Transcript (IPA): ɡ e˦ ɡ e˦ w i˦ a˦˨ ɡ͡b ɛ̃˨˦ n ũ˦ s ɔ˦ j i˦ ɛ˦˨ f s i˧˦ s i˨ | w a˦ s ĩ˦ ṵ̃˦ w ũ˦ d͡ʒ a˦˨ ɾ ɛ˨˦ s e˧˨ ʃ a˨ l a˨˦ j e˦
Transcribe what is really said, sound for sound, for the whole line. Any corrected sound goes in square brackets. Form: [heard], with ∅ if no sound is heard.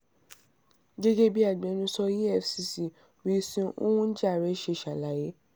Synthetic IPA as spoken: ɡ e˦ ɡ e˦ [b] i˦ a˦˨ ɡ͡b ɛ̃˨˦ n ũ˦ s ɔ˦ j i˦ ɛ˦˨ f s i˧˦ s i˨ | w [i˦] s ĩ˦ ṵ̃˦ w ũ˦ d͡ʒ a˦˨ ɾ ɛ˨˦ [ʃ] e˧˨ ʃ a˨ l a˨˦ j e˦